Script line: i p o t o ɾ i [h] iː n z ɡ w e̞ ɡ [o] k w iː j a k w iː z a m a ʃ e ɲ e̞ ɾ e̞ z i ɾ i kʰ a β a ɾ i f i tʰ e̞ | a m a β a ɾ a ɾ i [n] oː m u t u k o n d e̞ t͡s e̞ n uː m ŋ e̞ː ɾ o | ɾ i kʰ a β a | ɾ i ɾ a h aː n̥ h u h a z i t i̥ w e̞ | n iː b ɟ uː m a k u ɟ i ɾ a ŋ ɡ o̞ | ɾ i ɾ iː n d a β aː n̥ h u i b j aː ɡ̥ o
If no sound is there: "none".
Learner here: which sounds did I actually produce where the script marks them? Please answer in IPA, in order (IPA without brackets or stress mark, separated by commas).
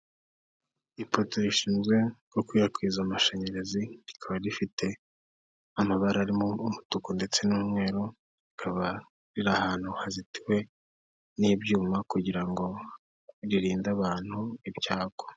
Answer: ʃ, o, m